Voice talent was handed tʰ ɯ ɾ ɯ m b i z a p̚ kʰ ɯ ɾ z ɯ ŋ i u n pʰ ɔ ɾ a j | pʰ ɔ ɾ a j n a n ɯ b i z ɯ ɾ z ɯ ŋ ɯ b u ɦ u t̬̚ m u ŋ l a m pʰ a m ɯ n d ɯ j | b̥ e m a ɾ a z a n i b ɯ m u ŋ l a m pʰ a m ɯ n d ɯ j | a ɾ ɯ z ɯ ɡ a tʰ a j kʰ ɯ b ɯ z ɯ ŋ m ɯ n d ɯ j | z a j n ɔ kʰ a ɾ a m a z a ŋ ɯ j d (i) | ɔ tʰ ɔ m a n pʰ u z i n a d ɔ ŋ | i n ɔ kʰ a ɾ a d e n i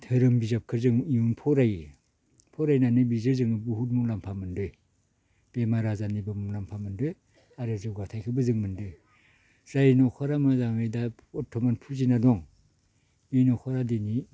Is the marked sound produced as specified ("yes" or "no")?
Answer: no